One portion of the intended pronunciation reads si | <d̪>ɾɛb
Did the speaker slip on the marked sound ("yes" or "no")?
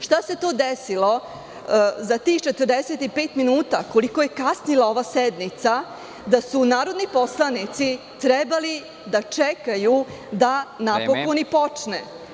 yes